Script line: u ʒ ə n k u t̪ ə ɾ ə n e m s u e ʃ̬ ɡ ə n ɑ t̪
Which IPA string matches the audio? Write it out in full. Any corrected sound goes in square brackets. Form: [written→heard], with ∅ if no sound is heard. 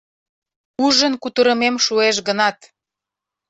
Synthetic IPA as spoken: u ʒ ə n k u t̪ ə ɾ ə [n→m] e m [s→ʃ] u e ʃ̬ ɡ ə n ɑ t̪